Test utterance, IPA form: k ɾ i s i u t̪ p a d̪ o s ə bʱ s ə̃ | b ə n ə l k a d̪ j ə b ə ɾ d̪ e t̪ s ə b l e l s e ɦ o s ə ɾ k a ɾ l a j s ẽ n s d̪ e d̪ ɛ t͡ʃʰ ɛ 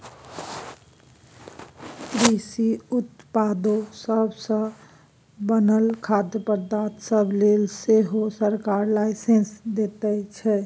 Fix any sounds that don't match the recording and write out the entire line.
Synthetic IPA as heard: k ɾ i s i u t̪ p a d̪ o s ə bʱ s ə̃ | b ə n ə l kʰ a d̪ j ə p ə ɾ d̪ a t̪ s ə b l e l s e ɦ o s ə ɾ k a ɾ l a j s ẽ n s d̪ e t̪ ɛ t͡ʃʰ ɛ